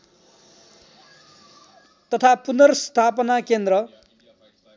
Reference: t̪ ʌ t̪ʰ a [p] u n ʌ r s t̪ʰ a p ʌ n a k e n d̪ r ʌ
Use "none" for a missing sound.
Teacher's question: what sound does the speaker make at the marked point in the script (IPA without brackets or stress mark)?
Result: p